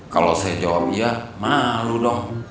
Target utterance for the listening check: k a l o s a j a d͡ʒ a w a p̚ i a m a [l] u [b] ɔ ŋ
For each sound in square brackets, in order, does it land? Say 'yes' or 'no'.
yes, no

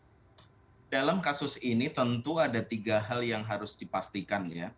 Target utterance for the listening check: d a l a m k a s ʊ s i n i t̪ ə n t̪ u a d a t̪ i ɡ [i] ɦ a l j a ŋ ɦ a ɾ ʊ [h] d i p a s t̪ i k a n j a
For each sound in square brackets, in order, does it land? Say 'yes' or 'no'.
no, no

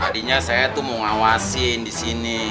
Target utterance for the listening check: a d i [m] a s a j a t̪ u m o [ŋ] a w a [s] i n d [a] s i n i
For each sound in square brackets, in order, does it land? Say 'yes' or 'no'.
no, yes, yes, no

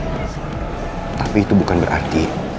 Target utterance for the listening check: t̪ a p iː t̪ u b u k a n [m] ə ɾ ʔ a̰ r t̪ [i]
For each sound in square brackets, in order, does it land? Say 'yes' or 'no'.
no, yes

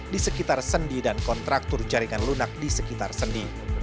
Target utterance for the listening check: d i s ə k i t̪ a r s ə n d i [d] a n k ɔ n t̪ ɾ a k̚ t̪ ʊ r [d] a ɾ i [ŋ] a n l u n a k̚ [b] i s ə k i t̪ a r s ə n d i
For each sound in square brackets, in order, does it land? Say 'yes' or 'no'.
yes, no, yes, no

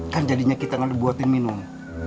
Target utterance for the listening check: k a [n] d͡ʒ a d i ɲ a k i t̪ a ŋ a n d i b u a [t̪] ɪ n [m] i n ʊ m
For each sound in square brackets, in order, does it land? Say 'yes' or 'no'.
yes, yes, yes

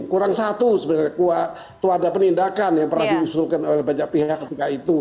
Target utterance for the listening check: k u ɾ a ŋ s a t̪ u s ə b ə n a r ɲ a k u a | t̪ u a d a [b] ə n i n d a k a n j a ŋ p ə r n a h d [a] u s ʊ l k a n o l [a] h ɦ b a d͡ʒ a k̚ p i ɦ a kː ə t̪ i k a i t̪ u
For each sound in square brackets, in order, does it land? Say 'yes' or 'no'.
no, no, no

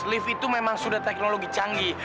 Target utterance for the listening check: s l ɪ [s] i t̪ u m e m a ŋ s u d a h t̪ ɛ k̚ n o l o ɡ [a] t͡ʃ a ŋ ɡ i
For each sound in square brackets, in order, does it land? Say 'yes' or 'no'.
no, no

